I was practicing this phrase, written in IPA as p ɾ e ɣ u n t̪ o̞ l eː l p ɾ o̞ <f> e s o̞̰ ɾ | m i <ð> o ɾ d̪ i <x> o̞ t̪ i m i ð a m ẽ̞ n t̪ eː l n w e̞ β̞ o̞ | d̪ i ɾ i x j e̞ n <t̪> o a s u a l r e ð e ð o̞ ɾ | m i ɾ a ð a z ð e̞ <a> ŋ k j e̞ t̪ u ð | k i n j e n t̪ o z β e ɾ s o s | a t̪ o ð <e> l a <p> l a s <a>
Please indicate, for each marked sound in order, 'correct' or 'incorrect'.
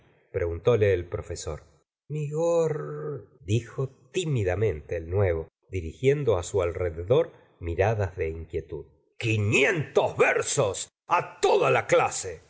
correct, incorrect, correct, incorrect, incorrect, incorrect, incorrect, incorrect

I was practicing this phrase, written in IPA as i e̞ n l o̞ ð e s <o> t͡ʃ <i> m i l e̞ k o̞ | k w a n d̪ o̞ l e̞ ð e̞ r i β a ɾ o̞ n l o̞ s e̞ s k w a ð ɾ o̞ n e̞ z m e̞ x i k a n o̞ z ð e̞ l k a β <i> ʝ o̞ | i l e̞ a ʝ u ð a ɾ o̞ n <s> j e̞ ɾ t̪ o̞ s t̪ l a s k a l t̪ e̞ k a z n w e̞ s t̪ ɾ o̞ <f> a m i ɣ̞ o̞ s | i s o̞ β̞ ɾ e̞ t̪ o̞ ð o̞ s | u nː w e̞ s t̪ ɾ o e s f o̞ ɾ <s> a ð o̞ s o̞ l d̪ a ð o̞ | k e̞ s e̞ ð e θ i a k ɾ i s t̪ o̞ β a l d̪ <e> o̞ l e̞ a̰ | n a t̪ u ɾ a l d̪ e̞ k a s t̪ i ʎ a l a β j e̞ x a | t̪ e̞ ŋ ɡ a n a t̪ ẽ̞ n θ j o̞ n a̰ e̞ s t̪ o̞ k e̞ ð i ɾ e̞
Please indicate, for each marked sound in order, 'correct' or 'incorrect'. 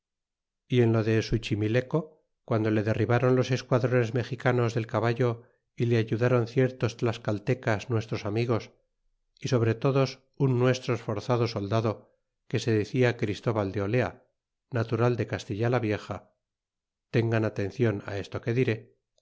incorrect, correct, incorrect, incorrect, incorrect, incorrect, correct

